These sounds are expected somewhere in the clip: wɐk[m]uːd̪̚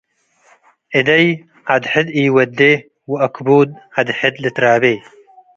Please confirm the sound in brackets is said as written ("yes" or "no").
no